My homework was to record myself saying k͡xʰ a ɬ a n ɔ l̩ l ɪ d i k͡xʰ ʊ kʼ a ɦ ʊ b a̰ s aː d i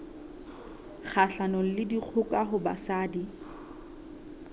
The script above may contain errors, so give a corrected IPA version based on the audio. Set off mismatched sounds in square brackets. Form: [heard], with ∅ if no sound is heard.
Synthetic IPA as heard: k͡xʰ a ɬ a n ɔ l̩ l ɪ d i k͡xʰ ʊ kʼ a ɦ ʊ b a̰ s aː d i